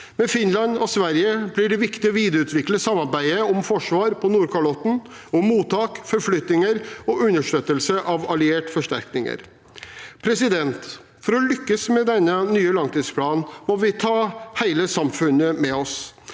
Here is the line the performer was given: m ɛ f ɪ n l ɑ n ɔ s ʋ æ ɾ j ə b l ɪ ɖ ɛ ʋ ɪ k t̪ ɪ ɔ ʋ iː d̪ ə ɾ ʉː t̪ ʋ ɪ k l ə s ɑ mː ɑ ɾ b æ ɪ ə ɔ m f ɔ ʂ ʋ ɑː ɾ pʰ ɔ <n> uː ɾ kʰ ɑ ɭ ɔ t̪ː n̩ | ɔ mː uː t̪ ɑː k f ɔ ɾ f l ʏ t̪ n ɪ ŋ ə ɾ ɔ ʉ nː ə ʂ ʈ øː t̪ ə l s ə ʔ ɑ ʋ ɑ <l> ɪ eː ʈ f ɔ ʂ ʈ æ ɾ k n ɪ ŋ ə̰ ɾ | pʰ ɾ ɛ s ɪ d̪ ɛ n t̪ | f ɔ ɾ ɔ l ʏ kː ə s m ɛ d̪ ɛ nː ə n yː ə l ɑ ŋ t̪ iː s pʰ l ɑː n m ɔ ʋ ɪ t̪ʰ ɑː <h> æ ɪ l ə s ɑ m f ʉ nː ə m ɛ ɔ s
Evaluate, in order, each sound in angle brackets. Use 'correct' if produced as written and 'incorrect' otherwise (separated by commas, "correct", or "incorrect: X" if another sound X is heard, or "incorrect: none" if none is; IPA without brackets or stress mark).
correct, correct, correct